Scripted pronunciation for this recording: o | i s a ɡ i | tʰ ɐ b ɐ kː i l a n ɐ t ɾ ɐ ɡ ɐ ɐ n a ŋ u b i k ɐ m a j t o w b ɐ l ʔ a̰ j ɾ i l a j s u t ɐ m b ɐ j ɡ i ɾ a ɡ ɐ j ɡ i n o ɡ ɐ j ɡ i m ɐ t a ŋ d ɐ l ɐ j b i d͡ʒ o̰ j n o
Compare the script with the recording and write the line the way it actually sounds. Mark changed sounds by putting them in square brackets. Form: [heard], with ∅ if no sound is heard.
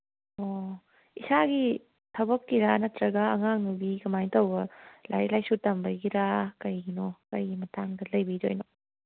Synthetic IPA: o | i s a ɡ i | tʰ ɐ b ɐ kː i [ɾ] a n ɐ t ɾ ɐ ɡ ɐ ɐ [ŋ] a ŋ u b i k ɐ m a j t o w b ɐ l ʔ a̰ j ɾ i l a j s u t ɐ m b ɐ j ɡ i ɾ a [k] ɐ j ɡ i n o [k] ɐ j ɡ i m ɐ t a ŋ d ɐ l ɐ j b i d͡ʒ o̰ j n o

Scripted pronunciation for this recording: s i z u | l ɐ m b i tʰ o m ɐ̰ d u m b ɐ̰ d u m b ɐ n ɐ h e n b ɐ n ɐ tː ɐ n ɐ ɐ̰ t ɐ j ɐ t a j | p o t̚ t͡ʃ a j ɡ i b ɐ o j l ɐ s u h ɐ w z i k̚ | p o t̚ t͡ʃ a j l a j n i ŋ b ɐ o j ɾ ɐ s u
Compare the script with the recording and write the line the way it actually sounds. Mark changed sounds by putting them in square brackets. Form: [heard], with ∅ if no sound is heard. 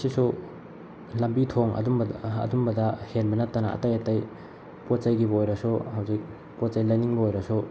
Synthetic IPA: s i [s] u | l ɐ m b i tʰ o [ŋ] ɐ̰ d u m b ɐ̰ d u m b ɐ [d] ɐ h e n b ɐ n ɐ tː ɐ n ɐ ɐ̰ t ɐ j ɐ t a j | p o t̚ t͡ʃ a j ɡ i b ɐ o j [ɾ] ɐ s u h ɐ w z i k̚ | p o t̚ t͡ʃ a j l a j n i ŋ b ɐ o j ɾ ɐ s u

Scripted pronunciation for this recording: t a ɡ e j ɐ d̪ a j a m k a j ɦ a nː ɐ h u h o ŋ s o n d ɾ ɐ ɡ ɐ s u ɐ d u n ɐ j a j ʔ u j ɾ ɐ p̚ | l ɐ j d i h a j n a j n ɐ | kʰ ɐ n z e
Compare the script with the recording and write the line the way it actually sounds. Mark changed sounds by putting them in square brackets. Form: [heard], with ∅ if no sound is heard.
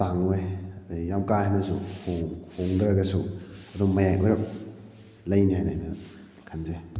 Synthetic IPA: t a [ŋ] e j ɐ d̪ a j a m k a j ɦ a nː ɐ [s] u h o ŋ [h] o [ŋ] d ɾ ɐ ɡ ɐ s u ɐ d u [m] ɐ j a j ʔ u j ɾ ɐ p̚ | l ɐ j [n] i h a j n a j n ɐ | kʰ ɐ n z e

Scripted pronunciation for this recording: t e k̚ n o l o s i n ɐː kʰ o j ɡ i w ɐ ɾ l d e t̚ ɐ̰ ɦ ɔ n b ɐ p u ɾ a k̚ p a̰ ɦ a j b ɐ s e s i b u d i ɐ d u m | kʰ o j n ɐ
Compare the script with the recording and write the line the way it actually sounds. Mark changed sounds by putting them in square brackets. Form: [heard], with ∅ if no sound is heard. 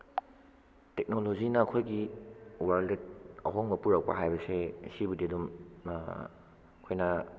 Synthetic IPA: t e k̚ n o l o [z] i n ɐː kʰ o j ɡ i w [a] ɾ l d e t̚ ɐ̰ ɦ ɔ [ŋ] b ɐ p u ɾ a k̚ p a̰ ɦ a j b ɐ s e s i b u d i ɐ d u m | kʰ o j n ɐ

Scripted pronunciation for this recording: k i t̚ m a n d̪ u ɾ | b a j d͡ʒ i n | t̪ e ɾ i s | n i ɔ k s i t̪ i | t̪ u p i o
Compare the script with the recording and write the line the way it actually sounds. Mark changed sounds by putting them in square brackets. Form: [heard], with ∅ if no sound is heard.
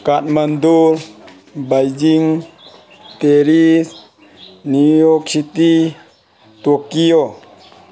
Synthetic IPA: k [a] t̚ m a n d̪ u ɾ | b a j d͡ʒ i [ŋ] | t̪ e ɾ i s | n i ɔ k s i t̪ i | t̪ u [k] i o

